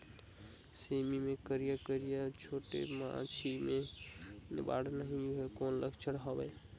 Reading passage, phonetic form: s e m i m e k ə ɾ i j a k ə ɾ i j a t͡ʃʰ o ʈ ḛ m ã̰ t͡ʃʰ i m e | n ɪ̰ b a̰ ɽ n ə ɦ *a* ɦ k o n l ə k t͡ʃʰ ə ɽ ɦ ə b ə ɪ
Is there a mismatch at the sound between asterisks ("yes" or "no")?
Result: yes